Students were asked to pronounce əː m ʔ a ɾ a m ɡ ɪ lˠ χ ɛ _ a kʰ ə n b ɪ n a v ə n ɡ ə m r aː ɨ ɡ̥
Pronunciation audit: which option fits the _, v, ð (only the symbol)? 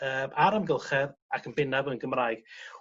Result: ð